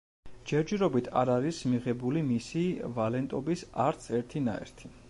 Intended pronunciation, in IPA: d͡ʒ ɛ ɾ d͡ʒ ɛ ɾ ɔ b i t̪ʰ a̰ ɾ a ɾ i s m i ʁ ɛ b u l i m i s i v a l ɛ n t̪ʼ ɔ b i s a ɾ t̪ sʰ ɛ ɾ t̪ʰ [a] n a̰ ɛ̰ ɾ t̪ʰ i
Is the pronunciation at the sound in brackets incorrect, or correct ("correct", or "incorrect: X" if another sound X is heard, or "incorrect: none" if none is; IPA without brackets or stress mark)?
incorrect: i